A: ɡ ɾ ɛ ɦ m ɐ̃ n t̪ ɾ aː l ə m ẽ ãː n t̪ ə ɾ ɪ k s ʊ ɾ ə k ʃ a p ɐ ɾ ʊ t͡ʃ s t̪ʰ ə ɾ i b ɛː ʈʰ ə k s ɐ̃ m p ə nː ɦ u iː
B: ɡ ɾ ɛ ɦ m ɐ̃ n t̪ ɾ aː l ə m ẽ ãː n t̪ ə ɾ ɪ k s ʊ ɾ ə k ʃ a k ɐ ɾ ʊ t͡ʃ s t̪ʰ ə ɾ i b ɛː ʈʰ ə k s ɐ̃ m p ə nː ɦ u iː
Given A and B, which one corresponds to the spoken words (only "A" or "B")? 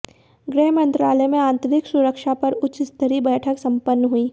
A